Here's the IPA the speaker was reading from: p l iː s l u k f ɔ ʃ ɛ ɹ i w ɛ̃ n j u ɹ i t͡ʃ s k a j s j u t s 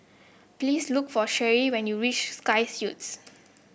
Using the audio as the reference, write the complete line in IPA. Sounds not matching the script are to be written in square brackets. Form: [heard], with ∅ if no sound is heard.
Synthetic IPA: p l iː s l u k f ɔ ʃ ɛ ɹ i w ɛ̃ n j u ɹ i t͡ʃ s k a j s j u t s

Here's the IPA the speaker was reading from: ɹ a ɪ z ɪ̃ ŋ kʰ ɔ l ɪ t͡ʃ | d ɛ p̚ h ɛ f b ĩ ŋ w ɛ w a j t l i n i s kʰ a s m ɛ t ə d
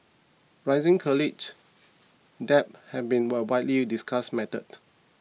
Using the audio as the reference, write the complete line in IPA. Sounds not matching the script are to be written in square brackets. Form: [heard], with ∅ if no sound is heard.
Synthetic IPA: ɹ a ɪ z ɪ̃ ŋ kʰ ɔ l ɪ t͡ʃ | d ɛ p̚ h ɛ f b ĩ [n] w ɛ w a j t l i [d] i s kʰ a s m ɛ t ə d

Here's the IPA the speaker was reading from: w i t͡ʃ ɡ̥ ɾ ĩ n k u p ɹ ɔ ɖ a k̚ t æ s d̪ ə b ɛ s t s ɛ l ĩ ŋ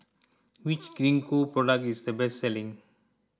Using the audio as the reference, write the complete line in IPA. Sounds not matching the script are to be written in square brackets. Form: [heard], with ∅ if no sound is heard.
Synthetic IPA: w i t͡ʃ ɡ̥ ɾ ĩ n k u p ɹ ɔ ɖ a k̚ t [i] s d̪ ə b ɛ s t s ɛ l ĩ ŋ

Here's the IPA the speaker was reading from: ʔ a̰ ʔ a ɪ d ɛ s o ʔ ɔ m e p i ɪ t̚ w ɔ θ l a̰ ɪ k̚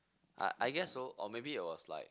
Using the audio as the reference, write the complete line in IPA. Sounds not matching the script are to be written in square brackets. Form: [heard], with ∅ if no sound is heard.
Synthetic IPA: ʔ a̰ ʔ a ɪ [ɡ] ɛ s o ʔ ɔ m e [b] i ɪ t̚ w ɔ [s] l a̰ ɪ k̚

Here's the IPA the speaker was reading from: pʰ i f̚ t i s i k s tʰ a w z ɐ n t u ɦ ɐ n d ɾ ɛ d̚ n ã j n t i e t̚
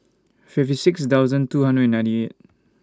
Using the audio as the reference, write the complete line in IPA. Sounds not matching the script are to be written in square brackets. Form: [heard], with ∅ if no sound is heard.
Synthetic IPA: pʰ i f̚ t i s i k s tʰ a w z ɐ n t u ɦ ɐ n d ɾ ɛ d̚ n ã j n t i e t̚

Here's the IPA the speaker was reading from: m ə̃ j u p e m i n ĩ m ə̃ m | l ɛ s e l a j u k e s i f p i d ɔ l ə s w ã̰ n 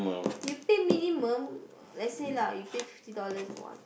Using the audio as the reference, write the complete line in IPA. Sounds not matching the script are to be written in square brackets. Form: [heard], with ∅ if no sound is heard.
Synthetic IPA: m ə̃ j u p e m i n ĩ m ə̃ m | l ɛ s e l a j u [p] e [f] i f [t] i d ɔ l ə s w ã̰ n

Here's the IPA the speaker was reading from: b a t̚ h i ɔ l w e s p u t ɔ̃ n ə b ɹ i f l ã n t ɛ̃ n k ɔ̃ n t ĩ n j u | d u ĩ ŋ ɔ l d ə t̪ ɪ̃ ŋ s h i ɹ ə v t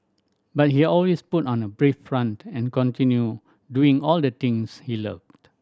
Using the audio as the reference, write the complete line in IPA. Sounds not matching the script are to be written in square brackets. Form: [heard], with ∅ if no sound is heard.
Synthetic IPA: b a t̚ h i ɔ l w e s p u t ɔ̃ n ə b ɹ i f [ɹ] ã n t ɛ̃ n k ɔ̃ n t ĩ n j u | d u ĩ ŋ ɔ l d ə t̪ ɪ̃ ŋ s h i [l] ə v t

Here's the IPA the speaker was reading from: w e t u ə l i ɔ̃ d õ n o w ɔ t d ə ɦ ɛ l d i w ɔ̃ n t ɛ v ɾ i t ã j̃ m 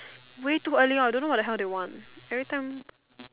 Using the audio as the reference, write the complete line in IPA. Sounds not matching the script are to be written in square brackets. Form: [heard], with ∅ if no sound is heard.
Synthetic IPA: w e t u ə l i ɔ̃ d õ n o w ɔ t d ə ɦ ɛ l d [e] w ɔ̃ n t ɛ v [ɹ] i t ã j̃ m

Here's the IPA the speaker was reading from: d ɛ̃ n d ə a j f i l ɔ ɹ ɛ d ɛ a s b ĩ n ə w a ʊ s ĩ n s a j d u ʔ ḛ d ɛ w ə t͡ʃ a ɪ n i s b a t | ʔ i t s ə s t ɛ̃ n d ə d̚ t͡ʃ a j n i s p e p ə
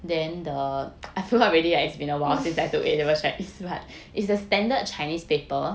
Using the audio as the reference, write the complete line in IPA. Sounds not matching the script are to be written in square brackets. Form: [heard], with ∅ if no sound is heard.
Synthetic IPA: d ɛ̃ n d ə a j f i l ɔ ɹ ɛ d [i] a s b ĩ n ə w a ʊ s ĩ n s a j [t] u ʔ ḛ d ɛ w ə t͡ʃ a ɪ n i s b a t | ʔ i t s ə s t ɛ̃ n d ə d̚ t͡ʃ a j n i s p e p ə

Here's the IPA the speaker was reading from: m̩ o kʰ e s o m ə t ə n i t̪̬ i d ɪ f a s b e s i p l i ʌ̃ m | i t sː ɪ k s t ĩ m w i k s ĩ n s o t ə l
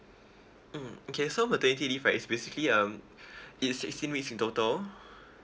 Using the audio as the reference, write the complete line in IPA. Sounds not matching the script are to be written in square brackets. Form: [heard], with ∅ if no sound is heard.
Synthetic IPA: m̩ o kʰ e s o m ə t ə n i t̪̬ i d [i] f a s b e s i [k] l i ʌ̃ m | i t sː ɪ k s t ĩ [n] w i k s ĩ n [t] o t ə l

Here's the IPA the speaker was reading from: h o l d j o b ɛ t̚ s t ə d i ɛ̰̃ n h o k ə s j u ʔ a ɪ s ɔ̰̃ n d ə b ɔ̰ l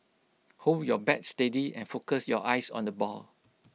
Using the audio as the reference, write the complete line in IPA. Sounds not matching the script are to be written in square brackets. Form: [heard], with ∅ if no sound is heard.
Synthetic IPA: h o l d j [ɔ] b ɛ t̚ s t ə d i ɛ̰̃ n [f] o k ə s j [ɔ] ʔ a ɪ s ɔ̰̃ n d ə b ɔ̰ l

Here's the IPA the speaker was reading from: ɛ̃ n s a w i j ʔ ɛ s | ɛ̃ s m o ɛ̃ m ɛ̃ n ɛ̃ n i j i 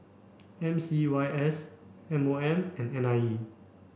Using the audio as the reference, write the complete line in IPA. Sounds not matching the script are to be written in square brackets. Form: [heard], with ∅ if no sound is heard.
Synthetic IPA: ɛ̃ [m] s [i] w [a] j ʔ ɛ s | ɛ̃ [∅] m o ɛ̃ m ɛ̃ n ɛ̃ n [a] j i

